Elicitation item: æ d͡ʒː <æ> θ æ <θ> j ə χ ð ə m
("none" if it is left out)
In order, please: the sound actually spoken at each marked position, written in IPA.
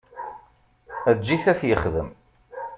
i, θ

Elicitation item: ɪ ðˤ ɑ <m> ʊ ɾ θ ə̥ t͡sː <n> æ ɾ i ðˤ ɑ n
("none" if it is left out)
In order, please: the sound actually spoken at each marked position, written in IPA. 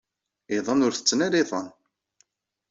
n, n

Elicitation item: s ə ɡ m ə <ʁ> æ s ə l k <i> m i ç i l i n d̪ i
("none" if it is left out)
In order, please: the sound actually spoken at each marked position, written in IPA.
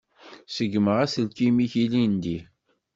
ʁ, i

